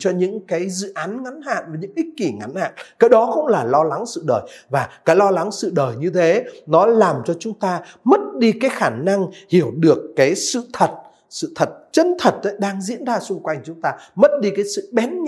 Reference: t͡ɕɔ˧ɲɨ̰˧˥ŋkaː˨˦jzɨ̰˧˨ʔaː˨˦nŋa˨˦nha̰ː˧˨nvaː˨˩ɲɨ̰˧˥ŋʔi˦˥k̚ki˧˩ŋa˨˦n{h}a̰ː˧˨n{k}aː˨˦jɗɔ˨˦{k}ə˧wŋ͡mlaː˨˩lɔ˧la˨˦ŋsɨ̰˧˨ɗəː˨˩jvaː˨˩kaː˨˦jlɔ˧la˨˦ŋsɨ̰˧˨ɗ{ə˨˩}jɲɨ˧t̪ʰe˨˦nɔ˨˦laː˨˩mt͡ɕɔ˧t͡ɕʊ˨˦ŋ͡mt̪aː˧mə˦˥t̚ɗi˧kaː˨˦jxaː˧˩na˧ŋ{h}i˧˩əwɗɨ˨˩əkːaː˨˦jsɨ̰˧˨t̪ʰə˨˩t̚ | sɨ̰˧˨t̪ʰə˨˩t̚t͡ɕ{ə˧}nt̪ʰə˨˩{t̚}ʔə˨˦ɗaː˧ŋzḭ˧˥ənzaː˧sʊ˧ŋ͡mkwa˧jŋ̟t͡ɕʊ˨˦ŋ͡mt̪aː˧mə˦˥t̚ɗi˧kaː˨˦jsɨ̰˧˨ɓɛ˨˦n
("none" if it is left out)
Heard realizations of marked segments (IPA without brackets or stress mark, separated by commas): h, k, x, əː˨˩, h, ə˧, t̚